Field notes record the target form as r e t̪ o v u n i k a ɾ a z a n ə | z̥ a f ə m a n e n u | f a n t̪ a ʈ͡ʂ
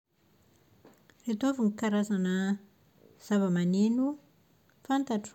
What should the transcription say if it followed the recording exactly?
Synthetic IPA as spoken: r e t̪ o v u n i k a ɾ a z a n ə | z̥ a v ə m a n e n u | f a n t̪ a ʈ͡ʂ

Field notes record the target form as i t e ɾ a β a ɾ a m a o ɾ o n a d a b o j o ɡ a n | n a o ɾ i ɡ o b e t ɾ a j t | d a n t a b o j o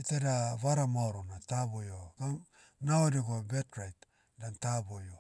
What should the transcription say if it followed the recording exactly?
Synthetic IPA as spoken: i t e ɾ a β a ɾ a m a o ɾ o n a t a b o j o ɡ a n | n a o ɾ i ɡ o b e t ɾ a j t | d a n t a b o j o

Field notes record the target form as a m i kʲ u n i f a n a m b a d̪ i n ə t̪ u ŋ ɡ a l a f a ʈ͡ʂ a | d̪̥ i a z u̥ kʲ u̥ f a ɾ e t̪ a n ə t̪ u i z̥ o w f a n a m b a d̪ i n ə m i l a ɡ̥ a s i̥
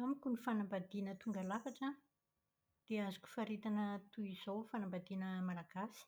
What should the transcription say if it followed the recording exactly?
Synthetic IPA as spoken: a m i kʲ u n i f a n a m b a d̪ i n ə t̪ u ŋ ɡ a l a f a ʈ͡ʂ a | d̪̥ e a z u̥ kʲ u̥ f a ɾ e t̪ a n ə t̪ u i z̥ o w f a n a m b a d̪ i n ə m a l a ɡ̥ a s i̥

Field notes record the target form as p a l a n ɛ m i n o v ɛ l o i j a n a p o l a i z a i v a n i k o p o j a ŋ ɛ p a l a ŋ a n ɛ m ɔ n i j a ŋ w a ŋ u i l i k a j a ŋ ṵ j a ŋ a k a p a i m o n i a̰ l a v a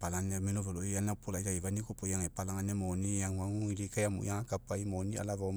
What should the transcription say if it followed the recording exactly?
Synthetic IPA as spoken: p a l a n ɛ m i n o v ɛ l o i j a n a p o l a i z a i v a n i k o p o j a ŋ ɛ p a l a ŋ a n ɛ m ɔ n i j a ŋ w a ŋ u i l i k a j a m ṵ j a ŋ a k a p a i m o n i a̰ l a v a

